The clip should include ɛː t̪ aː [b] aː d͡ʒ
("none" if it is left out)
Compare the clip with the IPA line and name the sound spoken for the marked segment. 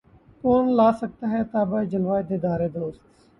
b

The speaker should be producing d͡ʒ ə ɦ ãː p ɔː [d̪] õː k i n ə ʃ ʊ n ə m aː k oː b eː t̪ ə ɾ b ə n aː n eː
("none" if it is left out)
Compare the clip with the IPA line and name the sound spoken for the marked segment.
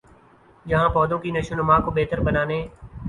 d̪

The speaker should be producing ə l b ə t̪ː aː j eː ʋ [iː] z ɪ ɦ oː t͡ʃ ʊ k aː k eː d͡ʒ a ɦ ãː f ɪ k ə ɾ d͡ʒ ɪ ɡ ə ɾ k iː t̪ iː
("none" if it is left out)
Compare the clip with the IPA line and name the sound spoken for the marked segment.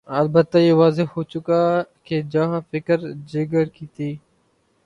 aː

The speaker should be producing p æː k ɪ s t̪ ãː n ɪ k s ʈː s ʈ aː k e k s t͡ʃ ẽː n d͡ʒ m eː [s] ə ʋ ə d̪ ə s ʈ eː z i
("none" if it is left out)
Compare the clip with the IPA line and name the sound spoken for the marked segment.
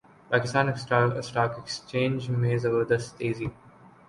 z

